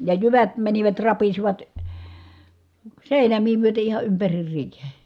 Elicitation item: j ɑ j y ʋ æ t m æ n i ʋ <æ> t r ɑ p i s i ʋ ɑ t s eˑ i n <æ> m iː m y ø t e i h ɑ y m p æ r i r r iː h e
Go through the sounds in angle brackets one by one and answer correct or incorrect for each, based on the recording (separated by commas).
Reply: correct, correct